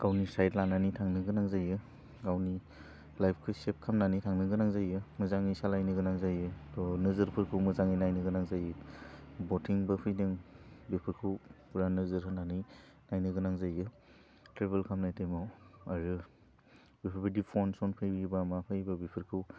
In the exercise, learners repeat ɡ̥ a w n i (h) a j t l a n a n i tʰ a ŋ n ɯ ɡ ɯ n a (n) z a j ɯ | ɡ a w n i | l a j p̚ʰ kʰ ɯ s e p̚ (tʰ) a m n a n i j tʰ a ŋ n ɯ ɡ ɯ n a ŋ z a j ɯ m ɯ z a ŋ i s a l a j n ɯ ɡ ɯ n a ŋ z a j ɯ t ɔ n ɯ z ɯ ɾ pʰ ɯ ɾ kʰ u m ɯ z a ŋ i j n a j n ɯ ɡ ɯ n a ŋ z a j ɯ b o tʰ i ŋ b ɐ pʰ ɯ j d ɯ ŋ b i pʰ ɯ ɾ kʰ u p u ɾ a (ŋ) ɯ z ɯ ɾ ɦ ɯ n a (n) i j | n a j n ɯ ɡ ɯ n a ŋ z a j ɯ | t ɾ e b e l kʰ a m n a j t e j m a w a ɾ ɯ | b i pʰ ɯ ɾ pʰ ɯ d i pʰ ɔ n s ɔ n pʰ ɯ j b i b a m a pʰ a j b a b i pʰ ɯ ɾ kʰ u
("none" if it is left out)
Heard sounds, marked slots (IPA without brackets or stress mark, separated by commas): s, ŋ, kʰ, n, n